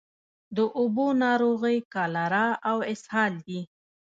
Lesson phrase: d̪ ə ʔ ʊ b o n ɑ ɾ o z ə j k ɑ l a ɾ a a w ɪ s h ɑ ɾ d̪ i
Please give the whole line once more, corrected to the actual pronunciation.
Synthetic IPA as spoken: d̪ ə ʔ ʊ b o n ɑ ɾ o ɣ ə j k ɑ l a ɾ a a w ɪ s h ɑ l d̪ i